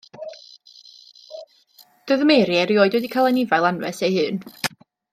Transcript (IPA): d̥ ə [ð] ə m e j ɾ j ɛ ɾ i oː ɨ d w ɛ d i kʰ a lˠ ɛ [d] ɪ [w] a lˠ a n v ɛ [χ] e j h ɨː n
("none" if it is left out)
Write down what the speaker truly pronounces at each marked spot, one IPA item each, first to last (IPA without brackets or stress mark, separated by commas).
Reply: ð, n, v, s